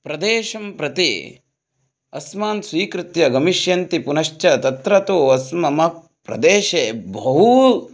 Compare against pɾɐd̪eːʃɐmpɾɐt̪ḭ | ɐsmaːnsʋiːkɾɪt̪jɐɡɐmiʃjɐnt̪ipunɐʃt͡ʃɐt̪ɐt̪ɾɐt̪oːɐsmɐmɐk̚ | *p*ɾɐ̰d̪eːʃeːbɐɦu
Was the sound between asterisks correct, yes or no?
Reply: yes